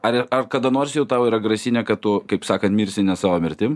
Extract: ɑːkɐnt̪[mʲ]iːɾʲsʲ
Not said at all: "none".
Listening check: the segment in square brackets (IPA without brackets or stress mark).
mʲ